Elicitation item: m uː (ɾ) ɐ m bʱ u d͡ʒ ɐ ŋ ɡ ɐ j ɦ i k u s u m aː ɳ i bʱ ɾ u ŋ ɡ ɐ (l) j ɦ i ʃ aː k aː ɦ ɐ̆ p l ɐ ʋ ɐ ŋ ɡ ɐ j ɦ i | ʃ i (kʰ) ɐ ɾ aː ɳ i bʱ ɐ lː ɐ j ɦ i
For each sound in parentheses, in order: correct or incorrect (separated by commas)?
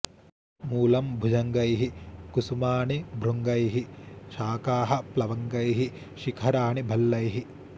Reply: incorrect, incorrect, correct